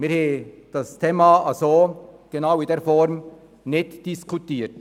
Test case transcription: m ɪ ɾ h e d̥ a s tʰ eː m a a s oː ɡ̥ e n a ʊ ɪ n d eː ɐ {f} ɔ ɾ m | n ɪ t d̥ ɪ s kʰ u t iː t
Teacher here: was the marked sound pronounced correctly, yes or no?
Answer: yes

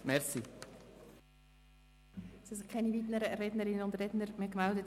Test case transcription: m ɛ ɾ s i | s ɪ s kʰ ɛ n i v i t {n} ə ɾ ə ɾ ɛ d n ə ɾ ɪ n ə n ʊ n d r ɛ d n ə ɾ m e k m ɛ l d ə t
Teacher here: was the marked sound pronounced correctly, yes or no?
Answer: yes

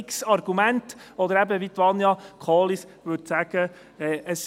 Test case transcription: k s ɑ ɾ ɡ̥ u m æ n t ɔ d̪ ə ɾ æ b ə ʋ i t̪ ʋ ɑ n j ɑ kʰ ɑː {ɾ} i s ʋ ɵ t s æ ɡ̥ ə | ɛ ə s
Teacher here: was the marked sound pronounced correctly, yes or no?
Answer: no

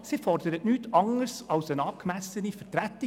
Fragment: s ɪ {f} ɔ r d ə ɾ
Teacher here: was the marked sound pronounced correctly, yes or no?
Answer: yes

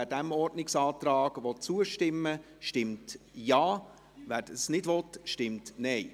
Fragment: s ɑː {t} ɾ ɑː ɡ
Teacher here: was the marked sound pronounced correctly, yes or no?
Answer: yes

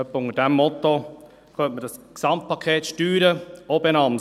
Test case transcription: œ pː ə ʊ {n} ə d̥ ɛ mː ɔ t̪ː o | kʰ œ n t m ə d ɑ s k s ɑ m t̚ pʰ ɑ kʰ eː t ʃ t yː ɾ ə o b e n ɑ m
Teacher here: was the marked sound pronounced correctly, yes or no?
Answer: no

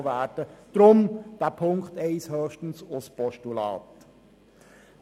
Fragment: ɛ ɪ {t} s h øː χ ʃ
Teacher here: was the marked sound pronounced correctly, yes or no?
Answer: no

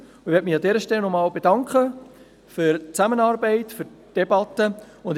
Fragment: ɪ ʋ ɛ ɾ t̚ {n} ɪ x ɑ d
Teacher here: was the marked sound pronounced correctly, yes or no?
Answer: no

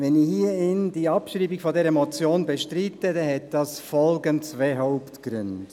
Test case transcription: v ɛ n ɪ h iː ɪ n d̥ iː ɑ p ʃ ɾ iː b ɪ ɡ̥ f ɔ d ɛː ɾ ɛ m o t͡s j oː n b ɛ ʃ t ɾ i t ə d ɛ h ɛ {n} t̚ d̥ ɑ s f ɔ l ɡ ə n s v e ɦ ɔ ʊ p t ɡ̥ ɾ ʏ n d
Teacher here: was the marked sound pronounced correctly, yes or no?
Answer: no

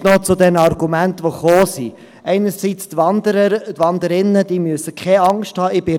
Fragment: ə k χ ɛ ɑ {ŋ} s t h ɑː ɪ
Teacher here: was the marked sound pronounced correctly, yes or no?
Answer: yes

